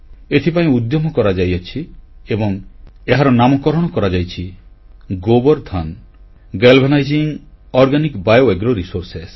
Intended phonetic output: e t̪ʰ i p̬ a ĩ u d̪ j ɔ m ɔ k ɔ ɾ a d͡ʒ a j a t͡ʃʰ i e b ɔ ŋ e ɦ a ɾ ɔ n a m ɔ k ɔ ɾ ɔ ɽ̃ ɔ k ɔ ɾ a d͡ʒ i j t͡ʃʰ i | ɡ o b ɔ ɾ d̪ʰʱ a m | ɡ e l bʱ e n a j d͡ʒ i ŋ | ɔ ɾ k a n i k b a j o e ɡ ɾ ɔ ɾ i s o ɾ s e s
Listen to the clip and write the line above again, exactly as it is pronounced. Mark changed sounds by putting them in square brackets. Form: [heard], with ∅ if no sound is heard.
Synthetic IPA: e t̪ʰ i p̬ a ĩ u d̪ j ɔ m ɔ k ɔ ɾ a d͡ʒ a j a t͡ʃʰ i e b ɔ ŋ e ɦ a ɾ ɔ n a m ɔ k ɔ ɾ ɔ ɽ̃ ɔ k ɔ ɾ a d͡ʒ [a] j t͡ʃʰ i | ɡ o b ɔ ɾ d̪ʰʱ a [n] | ɡ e l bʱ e n a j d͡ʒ i ŋ | ɔ ɾ [ɡ] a n i k b a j o e ɡ ɾ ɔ ɾ i s o ɾ s e s